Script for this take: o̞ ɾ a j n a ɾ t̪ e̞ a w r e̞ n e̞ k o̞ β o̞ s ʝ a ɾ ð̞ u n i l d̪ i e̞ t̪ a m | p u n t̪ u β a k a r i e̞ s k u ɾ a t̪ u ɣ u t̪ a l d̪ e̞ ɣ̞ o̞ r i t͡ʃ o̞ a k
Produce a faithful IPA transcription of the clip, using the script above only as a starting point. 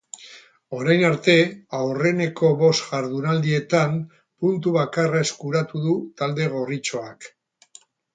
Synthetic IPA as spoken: o̞ ɾ a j n a ɾ t̪ e̞ a w r e̞ n e̞ k o̞ β o̞ s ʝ a ɾ ð̞ u n a l d̪ i e̞ t̪ a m | p u n t̪ u β a k a r a e̞ s k u ɾ a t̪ u ð u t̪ a l d̪ e̞ ɣ̞ o̞ r i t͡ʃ o̞ a k